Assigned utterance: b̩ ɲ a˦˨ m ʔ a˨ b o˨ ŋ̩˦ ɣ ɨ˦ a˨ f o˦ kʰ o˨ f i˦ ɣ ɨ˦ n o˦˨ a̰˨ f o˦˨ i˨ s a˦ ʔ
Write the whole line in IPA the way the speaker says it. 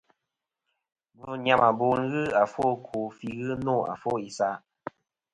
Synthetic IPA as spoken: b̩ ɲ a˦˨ m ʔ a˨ b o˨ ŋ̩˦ ɣ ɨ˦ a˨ f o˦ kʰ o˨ f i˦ ɣ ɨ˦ n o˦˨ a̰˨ f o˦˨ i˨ s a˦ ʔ